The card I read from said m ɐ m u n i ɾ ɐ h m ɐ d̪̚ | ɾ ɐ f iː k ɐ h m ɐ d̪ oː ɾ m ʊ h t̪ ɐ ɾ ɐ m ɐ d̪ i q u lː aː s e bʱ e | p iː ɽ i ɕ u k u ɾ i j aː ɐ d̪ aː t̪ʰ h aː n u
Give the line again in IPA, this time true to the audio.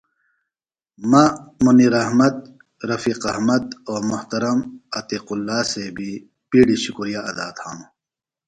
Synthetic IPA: m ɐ m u n i ɾ ɐ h m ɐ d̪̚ | ɾ ɐ f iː q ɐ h m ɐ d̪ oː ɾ m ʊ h t̪ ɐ ɾ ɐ m ɐ t̪ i q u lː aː s e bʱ i | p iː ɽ i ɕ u k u ɾ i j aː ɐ d̪ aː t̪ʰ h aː n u